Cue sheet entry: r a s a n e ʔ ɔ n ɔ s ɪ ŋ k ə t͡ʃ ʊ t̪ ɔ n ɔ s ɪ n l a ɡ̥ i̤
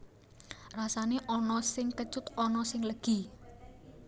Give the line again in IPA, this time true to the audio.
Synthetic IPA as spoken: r a s a n e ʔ ɔ n ɔ s ɪ ŋ k ə t͡ʃ ʊ t̪ ɔ n ɔ s ɪ ŋ l ə ɡ̥ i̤